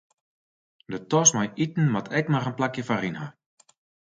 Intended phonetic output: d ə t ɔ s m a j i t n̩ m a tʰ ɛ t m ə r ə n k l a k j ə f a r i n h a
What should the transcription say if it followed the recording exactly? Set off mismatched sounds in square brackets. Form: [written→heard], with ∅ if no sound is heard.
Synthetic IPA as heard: d ə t ɔ s m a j i t n̩ m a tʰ ɛ [t→k] m [ə→a] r ə n [k→p] l a k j ə f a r i n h a